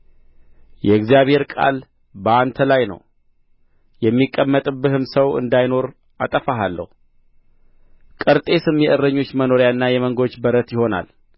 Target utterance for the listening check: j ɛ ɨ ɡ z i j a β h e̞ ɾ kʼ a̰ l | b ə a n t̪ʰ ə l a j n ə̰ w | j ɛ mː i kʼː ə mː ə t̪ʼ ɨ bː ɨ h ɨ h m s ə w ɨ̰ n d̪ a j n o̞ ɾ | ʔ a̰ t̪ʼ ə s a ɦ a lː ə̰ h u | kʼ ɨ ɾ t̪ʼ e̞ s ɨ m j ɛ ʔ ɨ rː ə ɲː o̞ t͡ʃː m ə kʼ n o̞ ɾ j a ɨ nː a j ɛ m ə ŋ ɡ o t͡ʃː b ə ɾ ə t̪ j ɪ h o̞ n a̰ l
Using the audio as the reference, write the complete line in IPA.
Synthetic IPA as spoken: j ɛ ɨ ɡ z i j a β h e̞ ɾ kʼ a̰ l | b ə a n t̪ʰ ə l a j n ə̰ w | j ɛ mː i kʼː ə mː ə t̪ʼ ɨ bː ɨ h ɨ m s ə w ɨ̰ n d̪ a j n o̞ ɾ | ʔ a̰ t̪ʼ ə f a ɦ a lː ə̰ h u | kʼ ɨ ɾ t̪ʼ e̞ s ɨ m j ɛ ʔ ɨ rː ə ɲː o̞ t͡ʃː m ə n o̞ ɾ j a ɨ nː a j ɛ m ə ŋ ɡ o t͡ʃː b ə ɾ ə t̪ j ɪ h o̞ n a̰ l

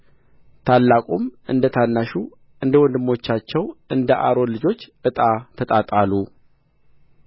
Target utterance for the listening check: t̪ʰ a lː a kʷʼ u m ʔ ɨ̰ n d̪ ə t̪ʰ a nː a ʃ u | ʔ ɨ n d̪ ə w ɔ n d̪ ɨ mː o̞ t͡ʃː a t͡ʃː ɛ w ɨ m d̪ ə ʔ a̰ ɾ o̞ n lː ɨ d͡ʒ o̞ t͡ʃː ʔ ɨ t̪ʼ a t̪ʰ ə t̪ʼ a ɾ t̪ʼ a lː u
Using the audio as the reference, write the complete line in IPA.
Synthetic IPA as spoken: t̪ʰ a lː a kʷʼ u m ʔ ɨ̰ n d̪ ə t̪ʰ a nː a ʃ u | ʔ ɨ n d̪ ə w ɔ n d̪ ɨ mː o̞ t͡ʃː a t͡ʃː ɛ w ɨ n d̪ ə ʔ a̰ ɾ o̞ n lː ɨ d͡ʒ o̞ t͡ʃː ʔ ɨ t̪ʼ a t̪ʰ ə t̪ʼ a t̪ʼ a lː u

